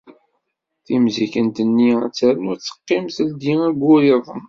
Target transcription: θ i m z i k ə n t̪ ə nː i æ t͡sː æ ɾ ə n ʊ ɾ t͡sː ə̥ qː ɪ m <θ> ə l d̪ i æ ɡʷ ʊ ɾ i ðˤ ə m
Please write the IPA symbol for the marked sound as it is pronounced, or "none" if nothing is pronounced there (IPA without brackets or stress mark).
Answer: θ